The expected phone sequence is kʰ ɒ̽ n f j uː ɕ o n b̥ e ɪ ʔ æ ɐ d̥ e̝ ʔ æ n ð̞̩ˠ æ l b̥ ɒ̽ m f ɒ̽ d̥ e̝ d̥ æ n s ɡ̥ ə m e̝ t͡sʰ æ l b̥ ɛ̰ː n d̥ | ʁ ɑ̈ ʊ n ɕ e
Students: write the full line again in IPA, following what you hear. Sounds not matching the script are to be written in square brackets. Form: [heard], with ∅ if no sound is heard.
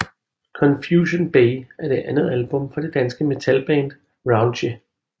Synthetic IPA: kʰ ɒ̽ n f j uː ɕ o n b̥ e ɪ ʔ æ ɐ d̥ e̝ ʔ æ n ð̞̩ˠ æ l b̥ [ɔ̽] m f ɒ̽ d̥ e̝ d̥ æ n s ɡ̥ ə m e̝ t͡sʰ æ l b̥ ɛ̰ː n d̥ | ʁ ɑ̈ ʊ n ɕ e

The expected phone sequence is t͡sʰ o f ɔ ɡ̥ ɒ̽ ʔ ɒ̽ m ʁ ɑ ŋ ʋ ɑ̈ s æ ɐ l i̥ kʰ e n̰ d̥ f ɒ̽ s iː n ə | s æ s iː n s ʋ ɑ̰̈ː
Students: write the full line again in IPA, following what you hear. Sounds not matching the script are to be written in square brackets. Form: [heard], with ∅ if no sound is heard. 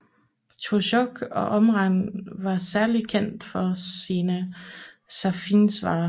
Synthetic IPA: t͡sʰ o [ɕ] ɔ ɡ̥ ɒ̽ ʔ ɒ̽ m ʁ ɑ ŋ ʋ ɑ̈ s æ ɐ l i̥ kʰ e n̰ d̥ f ɒ̽ s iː n ə | s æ [f] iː n s ʋ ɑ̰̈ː

